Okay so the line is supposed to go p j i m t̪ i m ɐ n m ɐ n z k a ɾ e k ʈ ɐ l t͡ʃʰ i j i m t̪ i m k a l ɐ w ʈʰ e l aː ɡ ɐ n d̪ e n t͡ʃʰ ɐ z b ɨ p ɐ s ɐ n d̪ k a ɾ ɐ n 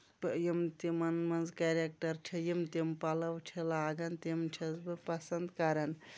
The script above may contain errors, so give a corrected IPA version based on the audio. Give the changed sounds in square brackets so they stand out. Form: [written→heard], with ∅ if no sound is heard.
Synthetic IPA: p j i m t̪ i m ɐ n m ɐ n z k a ɾ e k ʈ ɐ [l→ɾ] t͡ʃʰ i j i m t̪ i m [k→p] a l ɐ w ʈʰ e l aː ɡ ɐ n [d̪→t̪] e [n→m] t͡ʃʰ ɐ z b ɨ p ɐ s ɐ n d̪ k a ɾ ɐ n